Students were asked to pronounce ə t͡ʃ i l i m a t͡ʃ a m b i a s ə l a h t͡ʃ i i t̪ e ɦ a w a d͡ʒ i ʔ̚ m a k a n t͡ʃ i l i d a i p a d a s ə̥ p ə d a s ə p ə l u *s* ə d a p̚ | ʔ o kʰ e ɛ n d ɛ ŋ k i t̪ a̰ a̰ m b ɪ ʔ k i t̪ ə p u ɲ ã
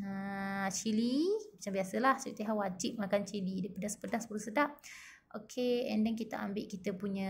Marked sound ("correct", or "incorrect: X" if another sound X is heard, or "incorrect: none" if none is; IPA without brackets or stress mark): correct